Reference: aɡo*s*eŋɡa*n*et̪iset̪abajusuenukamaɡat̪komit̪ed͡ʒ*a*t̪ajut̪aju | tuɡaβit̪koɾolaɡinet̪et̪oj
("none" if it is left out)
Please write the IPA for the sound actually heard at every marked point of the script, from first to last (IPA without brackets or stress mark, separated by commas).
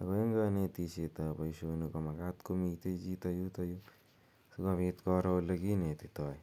none, n, i